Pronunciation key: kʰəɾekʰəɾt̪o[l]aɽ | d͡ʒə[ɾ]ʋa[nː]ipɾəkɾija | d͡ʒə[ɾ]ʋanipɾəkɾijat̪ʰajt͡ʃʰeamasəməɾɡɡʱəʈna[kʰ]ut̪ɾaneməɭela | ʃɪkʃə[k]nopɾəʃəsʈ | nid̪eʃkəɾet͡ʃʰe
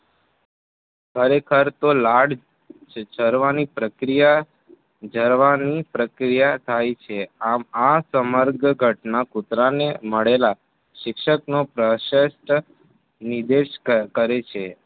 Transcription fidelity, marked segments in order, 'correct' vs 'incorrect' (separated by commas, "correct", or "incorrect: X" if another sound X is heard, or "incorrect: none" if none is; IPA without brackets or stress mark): correct, correct, incorrect: n, correct, incorrect: k, correct